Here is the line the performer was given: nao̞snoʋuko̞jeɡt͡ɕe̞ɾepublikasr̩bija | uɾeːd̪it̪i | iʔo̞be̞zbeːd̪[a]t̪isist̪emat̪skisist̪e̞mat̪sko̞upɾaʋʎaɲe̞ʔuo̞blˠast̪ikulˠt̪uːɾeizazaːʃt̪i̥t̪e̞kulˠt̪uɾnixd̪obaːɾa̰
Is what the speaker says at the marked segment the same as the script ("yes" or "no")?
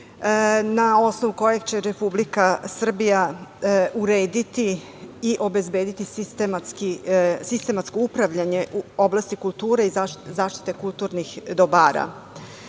no